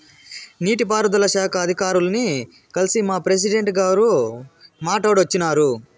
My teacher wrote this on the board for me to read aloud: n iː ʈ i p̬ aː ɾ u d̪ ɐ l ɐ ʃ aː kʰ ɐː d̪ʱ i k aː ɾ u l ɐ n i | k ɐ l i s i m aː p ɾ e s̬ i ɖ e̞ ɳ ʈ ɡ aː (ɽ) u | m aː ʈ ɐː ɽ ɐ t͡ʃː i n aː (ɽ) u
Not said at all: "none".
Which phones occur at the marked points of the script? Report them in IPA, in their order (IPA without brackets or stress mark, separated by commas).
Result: ɾ, ɾ